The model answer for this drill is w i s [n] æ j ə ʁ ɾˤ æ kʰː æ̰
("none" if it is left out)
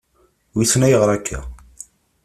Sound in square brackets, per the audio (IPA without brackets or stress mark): n